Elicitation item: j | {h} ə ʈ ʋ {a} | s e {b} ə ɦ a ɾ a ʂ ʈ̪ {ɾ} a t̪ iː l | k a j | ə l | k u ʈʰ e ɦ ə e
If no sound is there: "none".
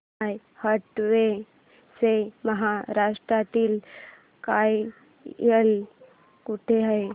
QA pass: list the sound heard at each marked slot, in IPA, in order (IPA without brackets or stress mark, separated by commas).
h, e, m, ɾ